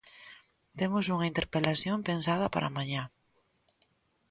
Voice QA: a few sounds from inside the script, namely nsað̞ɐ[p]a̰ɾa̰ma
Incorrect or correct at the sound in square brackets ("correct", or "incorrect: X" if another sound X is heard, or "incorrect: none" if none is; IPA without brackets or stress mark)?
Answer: correct